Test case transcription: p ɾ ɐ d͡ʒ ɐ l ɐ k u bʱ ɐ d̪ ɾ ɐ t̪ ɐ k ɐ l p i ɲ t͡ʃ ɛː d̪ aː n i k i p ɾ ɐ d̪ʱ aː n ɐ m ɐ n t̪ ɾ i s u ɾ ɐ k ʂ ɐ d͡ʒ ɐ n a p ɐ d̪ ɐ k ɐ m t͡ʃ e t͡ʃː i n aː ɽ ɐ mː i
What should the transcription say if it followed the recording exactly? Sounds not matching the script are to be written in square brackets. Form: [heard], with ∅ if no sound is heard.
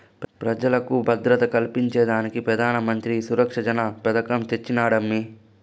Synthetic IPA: p ɾ ɐ d͡ʒ ɐ l ɐ k u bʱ ɐ d̪ ɾ ɐ t̪ ɐ k ɐ l p i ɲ t͡ʃ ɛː d̪ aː n i k i p ɾ ɐ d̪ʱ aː n ɐ m ɐ n t̪ ɾ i s u ɾ ɐ k ʂ ɐ d͡ʒ ɐ n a p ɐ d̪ ɐ k ɐ m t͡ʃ e t͡ʃː i n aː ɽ ɐ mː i